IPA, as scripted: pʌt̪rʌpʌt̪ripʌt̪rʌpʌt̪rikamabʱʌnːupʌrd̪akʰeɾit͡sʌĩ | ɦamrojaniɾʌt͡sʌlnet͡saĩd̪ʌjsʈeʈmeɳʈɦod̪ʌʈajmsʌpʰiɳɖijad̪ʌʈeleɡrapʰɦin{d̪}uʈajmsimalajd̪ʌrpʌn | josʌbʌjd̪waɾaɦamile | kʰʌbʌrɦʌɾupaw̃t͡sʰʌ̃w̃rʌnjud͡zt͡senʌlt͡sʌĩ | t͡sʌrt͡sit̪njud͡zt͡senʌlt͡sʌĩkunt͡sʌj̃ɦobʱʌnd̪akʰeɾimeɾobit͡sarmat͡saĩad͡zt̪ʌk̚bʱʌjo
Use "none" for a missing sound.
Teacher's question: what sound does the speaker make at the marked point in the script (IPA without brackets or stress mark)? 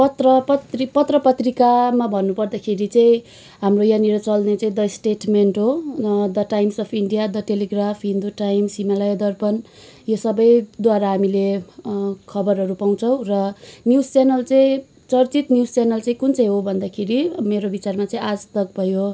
d̪